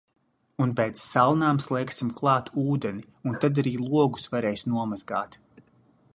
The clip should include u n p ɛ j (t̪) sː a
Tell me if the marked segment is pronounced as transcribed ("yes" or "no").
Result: yes